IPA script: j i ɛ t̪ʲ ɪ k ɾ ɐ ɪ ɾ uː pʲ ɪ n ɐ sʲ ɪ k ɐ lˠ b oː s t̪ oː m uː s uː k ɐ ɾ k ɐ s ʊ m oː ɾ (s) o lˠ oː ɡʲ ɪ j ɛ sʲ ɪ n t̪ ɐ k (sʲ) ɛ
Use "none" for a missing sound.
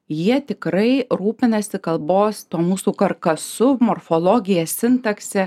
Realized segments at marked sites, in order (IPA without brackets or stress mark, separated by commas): f, sʲ